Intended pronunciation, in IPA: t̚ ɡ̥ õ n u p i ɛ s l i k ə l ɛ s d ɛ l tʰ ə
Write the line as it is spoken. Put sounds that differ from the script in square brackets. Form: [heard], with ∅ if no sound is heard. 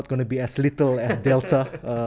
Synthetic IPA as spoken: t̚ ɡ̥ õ n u [b] i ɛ s l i [t] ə l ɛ s d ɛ l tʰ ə